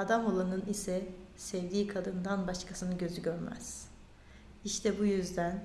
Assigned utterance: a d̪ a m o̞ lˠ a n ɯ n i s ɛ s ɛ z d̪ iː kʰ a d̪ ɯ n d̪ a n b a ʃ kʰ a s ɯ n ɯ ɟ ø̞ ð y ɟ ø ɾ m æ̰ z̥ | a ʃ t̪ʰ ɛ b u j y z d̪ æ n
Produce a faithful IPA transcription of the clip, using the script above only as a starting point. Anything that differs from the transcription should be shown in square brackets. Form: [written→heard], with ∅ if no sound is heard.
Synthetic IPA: a d̪ a m o̞ lˠ a n ɯ n i s ɛ s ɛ [z→v] d̪ iː kʰ a d̪ ɯ n d̪ a n b a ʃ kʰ a s ɯ n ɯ ɟ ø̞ [ð→z] y ɟ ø ɾ m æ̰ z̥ | [a→i] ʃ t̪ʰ ɛ b u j y z d̪ æ n